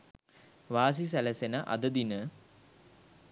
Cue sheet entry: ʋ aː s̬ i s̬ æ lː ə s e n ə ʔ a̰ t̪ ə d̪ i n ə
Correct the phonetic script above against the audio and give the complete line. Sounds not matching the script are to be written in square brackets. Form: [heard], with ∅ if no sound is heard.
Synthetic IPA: ʋ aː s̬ i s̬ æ [l] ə s e n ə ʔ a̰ [d̪] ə d̪ i n ə